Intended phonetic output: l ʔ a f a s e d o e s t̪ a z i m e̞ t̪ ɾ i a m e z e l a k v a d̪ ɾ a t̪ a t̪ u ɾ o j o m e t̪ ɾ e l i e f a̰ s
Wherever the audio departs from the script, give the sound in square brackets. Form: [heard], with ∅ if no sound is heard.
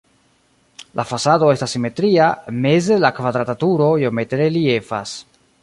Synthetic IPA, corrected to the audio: l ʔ a f a s [a] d o e s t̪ a [s] i m e̞ t̪ ɾ i a m e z e l a k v a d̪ ɾ a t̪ a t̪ u ɾ o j o m e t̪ ɾ e l i e f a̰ s

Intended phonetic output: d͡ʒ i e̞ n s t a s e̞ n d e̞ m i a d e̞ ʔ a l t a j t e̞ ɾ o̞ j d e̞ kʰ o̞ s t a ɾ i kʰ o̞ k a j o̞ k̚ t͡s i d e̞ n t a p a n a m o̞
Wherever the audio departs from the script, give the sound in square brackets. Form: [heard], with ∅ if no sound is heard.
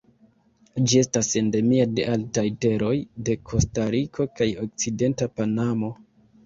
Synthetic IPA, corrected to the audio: d͡ʒ i e̞ [∅] s t a s e̞ n d e̞ m i a d e̞ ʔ a l t a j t e̞ ɾ o̞ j d e̞ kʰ o̞ s t a ɾ i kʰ o̞ k a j o̞ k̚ t͡s i d e̞ n t a p a n a m o̞

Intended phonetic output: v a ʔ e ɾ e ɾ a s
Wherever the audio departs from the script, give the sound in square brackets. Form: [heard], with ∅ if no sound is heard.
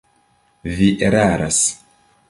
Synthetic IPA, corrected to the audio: v [i] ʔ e ɾ [a] ɾ a s

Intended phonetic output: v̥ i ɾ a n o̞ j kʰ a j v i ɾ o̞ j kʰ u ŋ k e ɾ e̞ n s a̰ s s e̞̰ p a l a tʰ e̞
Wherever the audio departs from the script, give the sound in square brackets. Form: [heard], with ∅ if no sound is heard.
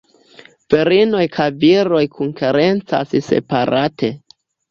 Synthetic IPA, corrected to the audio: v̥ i ɾ [i] n o̞ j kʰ a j v i ɾ o̞ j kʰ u ŋ k e ɾ e̞ n [t͡s] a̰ s s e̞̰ p a [ɾ] a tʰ e̞

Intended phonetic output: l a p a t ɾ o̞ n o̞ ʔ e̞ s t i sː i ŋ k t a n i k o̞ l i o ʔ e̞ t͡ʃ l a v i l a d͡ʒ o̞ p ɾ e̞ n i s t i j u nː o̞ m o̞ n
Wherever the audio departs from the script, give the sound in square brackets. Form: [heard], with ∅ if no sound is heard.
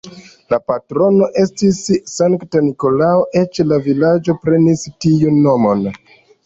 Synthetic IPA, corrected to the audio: l a p a t ɾ o̞ n o̞ ʔ e̞ s t i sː [a] ŋ k t a n i k o̞ l [a] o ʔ e̞ t͡ʃ l a v i l a d͡ʒ o̞ p ɾ e̞ n i s t i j u nː o̞ m o̞ n

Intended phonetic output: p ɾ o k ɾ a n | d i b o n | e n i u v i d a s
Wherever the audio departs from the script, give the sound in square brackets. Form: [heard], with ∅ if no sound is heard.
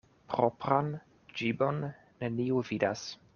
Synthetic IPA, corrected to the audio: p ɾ o [p] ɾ a n | [d͡ʒ] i b o [nː] | e n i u v i d a s

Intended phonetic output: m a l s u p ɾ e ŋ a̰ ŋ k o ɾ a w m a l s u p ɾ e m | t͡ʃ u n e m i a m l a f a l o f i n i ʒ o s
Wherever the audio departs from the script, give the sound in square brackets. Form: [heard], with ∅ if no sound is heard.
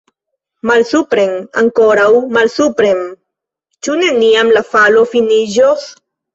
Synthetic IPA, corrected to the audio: m a l s u p ɾ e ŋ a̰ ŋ k o ɾ a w m a l s u p ɾ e m | t͡ʃ u n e [n] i a m l a f a l o f i n i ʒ o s

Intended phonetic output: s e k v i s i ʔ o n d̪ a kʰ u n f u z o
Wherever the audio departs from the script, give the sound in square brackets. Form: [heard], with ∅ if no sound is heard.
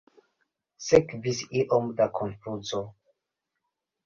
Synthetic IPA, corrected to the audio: s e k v i s i ʔ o [m] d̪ a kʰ [o] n f u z o

